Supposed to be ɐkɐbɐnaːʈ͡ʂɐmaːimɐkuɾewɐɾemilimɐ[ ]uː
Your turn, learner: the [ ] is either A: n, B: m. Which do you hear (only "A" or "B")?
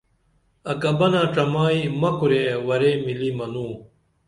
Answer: A